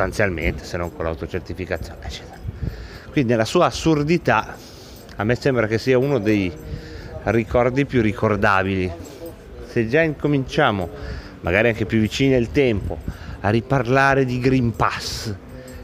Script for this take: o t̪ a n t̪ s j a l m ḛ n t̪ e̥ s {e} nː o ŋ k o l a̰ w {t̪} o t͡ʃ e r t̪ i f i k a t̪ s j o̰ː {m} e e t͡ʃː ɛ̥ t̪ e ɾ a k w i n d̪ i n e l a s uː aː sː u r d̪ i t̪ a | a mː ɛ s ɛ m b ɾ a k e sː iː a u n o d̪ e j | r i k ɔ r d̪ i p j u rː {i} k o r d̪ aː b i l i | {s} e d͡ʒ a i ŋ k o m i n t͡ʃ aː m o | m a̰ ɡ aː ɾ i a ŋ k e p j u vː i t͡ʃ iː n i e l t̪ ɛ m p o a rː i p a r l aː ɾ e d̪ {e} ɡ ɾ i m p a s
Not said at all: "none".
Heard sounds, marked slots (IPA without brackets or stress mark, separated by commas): e, t̪, n, i, s, i